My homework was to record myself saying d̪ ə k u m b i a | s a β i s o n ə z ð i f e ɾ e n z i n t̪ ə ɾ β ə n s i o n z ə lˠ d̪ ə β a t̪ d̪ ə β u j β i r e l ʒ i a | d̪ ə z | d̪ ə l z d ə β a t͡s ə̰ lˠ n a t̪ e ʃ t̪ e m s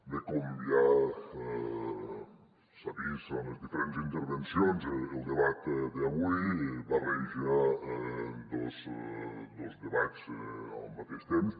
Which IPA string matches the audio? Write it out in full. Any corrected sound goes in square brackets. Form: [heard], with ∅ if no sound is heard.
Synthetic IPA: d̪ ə k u m b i a | s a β i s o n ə z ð i f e ɾ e n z i n t̪ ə ɾ β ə n s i o n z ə lˠ d̪ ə β a t̪ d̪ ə β u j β [a] r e [∅] ʒ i a | d̪ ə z | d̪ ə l z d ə β a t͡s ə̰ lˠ [m] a t̪ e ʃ t̪ e m s